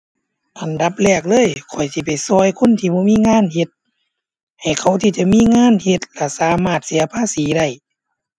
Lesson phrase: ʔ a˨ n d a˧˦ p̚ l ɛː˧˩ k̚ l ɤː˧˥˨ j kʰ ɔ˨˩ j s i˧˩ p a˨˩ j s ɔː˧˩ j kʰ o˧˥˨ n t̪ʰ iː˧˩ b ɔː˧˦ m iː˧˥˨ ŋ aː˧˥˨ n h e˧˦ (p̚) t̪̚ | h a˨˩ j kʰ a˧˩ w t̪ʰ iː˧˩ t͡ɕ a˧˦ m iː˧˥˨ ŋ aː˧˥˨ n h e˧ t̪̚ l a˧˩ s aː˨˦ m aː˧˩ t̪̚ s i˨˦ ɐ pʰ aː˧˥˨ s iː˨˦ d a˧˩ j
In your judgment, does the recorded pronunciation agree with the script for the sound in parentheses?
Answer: no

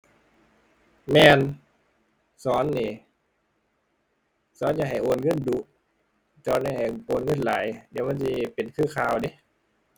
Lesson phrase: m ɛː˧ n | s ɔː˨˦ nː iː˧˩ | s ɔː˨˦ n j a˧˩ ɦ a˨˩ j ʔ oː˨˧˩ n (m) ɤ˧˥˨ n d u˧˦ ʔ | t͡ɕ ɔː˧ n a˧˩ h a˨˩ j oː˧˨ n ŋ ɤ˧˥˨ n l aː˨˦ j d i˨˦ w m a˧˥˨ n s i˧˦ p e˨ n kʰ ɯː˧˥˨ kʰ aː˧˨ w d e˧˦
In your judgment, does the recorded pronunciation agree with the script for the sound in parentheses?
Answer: no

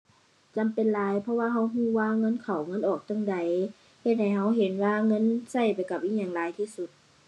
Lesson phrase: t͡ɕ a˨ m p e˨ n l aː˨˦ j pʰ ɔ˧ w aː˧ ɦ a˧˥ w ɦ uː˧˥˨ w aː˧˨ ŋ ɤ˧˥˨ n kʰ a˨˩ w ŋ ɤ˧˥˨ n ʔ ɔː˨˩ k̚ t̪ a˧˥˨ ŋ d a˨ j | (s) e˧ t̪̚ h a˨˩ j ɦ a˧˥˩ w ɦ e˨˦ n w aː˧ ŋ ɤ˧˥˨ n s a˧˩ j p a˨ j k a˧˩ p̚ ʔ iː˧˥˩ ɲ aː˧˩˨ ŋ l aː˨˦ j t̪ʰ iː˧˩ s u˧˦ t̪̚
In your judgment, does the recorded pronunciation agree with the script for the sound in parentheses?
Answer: no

